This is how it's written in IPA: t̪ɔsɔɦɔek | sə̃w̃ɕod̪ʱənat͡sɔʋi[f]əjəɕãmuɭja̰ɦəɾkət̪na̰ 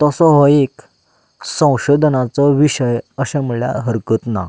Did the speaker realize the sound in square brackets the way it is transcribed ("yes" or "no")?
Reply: no